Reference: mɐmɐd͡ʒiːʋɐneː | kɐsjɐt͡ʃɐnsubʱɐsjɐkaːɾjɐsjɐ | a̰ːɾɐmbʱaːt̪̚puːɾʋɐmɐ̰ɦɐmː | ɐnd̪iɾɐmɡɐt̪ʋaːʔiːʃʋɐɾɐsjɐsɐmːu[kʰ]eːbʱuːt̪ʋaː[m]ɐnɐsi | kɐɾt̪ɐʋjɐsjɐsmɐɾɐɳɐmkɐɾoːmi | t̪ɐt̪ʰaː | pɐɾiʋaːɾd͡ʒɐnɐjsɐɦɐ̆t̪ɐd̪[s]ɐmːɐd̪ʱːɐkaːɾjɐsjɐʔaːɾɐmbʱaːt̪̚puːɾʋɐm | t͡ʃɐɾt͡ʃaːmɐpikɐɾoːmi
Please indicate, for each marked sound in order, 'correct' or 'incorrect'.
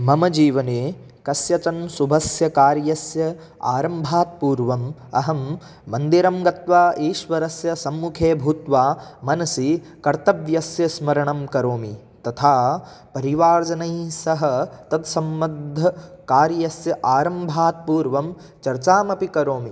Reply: correct, correct, correct

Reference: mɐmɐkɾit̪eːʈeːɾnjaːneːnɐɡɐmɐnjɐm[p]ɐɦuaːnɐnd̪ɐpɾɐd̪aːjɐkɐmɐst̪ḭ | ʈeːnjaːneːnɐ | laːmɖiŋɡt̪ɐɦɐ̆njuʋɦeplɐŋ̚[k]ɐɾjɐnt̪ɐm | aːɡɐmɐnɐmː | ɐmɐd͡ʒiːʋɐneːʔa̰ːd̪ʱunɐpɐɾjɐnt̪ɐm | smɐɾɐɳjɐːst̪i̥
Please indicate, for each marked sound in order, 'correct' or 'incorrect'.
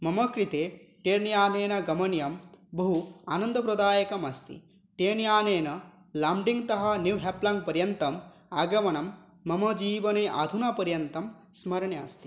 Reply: incorrect, incorrect

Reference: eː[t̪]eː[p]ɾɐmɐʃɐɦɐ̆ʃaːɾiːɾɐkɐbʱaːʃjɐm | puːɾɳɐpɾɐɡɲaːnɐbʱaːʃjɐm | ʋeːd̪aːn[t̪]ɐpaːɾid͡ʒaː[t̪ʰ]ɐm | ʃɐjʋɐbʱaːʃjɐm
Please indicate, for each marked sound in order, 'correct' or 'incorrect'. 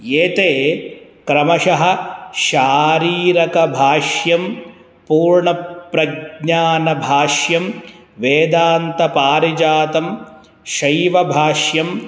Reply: correct, incorrect, correct, incorrect

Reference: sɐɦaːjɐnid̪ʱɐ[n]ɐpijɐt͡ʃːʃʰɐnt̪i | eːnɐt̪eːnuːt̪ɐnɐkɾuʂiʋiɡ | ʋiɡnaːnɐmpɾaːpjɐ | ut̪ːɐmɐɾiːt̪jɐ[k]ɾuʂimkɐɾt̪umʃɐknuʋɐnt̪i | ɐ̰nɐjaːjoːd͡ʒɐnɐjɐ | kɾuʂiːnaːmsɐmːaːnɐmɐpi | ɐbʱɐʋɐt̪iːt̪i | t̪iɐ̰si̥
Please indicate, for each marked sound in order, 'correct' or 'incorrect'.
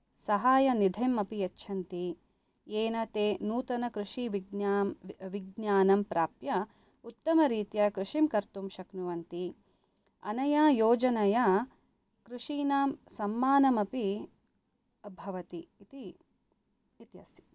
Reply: incorrect, correct

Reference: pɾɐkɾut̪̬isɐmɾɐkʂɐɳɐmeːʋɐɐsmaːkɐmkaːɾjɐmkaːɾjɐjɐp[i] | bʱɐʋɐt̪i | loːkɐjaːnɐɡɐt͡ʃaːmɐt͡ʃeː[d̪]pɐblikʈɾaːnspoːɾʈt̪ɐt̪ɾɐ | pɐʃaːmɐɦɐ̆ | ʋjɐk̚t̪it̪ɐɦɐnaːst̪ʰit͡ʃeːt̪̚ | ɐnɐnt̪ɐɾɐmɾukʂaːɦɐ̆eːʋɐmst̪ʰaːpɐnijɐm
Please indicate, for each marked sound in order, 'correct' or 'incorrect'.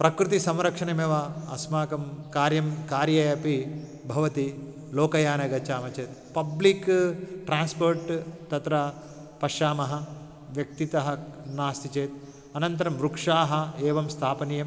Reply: correct, incorrect

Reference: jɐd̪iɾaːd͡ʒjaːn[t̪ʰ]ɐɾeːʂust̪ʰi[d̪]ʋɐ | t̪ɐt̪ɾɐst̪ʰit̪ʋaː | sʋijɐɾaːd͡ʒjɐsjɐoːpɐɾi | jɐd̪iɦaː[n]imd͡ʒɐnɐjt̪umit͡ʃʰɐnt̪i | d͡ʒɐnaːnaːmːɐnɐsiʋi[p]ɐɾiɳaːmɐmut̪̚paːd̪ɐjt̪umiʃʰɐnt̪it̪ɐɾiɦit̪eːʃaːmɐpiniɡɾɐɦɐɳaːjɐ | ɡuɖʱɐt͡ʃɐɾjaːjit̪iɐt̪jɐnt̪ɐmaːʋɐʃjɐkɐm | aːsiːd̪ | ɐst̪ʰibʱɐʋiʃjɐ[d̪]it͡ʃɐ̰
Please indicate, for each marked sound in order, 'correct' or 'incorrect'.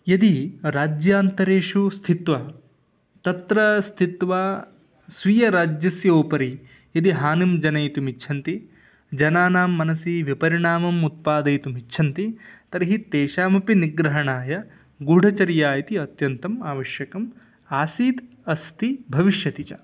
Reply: incorrect, incorrect, correct, correct, incorrect

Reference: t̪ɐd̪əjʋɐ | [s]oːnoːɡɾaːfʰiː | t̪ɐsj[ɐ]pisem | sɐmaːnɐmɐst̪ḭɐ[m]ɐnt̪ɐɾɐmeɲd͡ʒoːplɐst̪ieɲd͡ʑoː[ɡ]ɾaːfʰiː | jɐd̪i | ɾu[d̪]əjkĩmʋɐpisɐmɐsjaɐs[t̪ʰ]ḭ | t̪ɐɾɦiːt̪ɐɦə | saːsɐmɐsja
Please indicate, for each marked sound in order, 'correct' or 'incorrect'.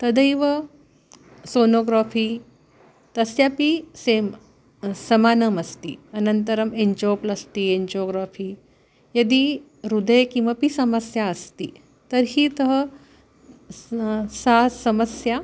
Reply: correct, incorrect, incorrect, correct, correct, incorrect

